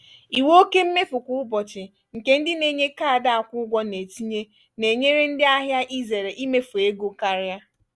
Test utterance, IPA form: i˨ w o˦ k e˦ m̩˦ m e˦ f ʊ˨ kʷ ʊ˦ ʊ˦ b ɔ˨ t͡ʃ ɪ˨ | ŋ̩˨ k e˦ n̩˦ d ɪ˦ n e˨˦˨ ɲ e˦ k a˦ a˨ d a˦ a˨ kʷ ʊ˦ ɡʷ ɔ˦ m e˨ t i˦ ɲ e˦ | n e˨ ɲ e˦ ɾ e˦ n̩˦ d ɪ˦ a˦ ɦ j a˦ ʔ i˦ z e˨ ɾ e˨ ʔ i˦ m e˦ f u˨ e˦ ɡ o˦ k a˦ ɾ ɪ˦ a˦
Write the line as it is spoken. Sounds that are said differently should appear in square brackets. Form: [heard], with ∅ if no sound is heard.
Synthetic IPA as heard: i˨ w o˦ k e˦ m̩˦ m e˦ f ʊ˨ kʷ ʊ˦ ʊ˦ b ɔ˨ t͡ʃ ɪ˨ | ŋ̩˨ k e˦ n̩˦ d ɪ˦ n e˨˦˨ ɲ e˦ k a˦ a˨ d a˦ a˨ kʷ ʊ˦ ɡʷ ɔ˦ [n] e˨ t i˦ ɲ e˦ | n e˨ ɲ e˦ ɾ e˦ n̩˦ d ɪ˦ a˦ ɦ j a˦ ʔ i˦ z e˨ ɾ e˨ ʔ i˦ m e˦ f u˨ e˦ ɡ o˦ k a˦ ɾ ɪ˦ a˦

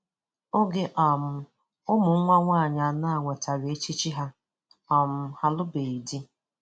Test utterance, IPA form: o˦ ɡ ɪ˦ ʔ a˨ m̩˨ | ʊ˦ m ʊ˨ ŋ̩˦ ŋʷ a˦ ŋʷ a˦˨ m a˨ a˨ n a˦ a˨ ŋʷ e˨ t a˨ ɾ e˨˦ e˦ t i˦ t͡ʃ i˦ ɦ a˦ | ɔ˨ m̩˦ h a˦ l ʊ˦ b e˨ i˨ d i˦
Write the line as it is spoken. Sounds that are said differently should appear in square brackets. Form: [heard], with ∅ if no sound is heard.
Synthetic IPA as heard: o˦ ɡ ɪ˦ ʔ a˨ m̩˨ | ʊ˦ m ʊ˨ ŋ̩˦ ŋʷ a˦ ŋʷ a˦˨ [ɲ] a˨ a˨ n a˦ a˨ ŋʷ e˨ t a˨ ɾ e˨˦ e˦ [t͡ʃ] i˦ t͡ʃ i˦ ɦ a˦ | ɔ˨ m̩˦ h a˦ l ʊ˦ b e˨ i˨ d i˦

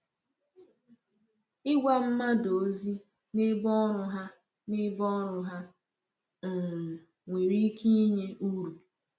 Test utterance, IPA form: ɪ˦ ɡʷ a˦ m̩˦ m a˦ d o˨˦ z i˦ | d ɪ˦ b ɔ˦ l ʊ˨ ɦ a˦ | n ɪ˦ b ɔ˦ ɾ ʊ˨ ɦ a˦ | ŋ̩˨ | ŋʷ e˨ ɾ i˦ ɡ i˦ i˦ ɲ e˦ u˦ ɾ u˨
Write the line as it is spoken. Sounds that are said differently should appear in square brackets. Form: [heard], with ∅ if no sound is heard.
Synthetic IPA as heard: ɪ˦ ɡʷ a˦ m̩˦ m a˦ d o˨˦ z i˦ | [n] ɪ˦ b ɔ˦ [ɾ] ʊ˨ ɦ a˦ | n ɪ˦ b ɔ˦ ɾ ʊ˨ ɦ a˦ | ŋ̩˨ | ŋʷ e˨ ɾ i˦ [k] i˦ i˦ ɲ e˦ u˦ ɾ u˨

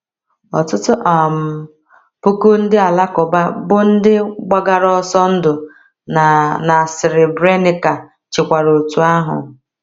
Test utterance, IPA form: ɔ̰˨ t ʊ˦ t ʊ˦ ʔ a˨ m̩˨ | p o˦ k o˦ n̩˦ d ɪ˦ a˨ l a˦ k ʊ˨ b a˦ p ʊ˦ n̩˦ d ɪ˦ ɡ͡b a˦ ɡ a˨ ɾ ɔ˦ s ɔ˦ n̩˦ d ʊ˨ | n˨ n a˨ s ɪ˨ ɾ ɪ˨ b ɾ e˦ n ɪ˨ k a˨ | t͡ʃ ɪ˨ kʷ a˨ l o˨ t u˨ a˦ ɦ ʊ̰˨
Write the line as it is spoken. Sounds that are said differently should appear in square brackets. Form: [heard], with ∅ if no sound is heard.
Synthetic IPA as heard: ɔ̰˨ t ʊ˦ t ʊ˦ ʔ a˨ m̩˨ | p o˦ k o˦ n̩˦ d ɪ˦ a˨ l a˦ k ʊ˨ b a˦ [b] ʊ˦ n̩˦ d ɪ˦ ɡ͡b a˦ ɡ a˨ ɾ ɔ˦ s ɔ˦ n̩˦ d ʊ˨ | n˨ n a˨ s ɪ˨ ɾ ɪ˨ b ɾ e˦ n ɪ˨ k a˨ | t͡ʃ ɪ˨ kʷ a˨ [ɾ] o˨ t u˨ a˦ ɦ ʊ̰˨

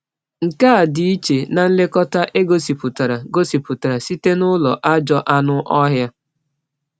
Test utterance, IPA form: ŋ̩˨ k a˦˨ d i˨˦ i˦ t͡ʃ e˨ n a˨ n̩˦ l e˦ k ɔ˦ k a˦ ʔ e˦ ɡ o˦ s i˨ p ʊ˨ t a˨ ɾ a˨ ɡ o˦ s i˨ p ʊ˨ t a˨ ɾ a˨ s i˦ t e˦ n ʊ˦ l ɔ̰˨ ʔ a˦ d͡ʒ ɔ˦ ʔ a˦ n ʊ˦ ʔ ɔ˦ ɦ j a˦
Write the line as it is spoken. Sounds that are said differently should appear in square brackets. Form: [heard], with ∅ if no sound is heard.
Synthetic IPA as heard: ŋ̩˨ k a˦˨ d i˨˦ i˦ t͡ʃ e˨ n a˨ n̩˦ l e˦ k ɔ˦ [t] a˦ ʔ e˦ ɡ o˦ s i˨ p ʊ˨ t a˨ ɾ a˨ ɡ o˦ s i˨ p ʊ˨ t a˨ ɾ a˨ s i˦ t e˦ n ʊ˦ l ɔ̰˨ ʔ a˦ d͡ʒ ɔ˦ ʔ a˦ n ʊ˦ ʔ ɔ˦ ɦ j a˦

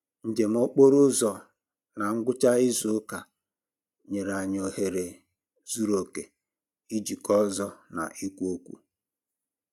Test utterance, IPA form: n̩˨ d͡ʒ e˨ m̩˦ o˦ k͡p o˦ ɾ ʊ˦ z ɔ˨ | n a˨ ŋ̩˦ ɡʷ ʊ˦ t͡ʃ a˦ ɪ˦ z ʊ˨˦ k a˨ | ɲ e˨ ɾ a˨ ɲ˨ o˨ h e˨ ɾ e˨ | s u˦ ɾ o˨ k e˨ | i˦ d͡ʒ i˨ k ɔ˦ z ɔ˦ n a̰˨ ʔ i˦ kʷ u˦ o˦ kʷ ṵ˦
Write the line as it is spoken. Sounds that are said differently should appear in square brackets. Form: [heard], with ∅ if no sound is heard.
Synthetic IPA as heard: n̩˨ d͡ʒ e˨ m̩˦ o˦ k͡p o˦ ɾ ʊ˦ z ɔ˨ | n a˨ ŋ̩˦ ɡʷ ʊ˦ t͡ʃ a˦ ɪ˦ z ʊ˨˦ k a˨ | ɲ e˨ ɾ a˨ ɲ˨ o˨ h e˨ ɾ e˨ | [z] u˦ ɾ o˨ k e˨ | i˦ d͡ʒ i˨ k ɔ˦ z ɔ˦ n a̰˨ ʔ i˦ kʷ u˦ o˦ kʷ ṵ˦

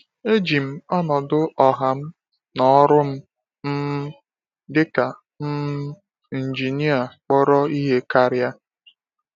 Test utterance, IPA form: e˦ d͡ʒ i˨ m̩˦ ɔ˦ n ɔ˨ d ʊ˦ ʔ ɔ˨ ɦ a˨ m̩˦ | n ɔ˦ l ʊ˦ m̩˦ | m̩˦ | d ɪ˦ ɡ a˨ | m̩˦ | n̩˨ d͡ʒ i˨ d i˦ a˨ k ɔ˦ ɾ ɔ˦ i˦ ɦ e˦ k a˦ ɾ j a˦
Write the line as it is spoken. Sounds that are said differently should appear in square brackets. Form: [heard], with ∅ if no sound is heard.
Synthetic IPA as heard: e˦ d͡ʒ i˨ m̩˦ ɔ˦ n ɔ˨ d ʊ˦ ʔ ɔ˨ ɦ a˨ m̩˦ | n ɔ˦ [ɾ] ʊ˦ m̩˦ | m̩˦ | d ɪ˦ [k] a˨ | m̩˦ | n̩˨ d͡ʒ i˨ [n] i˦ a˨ [k͡p] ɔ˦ ɾ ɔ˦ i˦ ɦ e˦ k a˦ ɾ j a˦

